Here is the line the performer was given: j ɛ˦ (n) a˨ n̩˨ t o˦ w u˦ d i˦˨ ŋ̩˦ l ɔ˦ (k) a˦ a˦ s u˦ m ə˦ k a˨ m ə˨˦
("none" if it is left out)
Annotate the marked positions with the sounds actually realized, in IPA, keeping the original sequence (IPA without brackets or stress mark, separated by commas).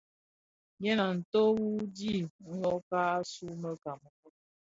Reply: n, k